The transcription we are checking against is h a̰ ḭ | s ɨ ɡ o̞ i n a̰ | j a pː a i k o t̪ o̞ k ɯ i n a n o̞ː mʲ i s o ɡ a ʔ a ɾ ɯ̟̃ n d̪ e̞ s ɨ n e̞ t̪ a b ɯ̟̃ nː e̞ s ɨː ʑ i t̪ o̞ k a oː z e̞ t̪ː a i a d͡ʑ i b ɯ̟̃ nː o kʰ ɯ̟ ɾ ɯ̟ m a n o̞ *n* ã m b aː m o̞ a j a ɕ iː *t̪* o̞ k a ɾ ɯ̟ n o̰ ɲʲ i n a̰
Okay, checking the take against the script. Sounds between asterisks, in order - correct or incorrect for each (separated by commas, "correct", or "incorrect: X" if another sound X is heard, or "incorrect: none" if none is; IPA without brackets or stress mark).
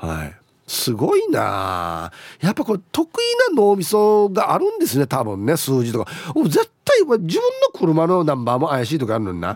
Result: correct, correct